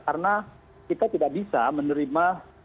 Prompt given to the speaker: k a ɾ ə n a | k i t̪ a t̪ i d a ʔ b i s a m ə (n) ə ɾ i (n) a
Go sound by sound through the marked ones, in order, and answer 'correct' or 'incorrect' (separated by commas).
correct, incorrect